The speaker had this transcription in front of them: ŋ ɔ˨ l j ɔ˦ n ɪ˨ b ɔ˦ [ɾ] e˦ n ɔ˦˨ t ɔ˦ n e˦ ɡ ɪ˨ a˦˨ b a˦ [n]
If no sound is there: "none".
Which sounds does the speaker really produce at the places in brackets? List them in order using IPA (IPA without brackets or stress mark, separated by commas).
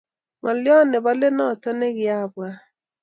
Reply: l, none